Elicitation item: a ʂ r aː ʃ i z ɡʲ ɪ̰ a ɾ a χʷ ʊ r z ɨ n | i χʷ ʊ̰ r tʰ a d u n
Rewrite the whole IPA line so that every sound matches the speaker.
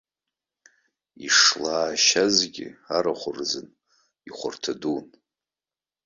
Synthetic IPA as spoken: i ʂ l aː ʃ a z ɡʲ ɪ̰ a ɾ a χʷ ʊ r z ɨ n | i χʷ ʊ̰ r tʰ a d u n

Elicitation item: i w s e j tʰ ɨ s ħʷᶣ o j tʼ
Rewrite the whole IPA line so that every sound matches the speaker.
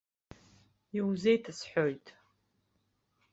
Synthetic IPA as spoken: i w z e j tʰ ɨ s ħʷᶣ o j tʼ

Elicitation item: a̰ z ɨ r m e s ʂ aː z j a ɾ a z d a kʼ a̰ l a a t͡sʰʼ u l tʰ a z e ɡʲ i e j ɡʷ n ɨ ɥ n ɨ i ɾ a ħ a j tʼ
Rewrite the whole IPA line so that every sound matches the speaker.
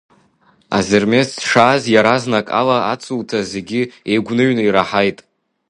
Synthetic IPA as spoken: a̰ z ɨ r m e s ʂ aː z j a ɾ a z n a kʼ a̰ l a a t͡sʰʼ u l tʰ a z e ɡʲ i e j ɡʷ n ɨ ɥ n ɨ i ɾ a ħ a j tʼ

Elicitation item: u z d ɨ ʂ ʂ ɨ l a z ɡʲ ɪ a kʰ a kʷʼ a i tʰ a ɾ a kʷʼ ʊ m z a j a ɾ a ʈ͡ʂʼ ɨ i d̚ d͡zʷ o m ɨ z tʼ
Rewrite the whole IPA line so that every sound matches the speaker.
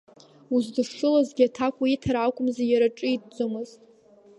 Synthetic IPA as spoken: u z d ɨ ʂ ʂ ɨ l a z ɡʲ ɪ a tʰ a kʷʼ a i tʰ a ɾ a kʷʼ ʊ m z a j a ɾ a ʈ͡ʂʼ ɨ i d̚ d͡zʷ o m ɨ z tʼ

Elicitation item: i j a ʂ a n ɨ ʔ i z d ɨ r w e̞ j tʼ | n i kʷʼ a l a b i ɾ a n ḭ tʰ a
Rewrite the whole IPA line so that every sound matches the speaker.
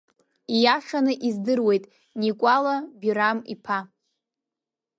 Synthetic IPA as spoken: i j a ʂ a n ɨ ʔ i z d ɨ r w e̞ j tʼ | n i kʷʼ a l a b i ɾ a m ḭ pʰ a

